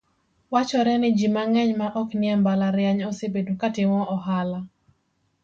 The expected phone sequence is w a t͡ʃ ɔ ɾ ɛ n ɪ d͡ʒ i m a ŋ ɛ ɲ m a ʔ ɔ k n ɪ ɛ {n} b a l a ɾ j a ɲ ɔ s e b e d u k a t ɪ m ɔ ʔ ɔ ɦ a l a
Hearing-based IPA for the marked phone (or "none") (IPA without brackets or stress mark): m